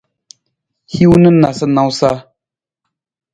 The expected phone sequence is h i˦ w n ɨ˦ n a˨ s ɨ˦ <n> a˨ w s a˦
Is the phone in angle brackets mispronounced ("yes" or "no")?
no